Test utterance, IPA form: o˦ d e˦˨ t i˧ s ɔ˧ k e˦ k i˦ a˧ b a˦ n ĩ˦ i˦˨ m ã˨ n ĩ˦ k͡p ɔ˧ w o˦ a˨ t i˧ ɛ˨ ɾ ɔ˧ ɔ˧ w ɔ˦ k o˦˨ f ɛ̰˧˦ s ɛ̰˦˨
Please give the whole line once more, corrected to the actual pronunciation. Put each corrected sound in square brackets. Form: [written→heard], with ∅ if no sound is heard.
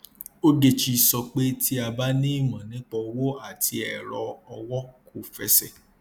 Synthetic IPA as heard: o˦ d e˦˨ [t→t͡ʃ] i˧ s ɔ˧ [k→k͡p] e˦ [k→t] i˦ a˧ b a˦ n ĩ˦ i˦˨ m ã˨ n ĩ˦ k͡p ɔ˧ w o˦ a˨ t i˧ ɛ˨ ɾ ɔ˧ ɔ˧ w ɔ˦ k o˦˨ f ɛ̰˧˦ s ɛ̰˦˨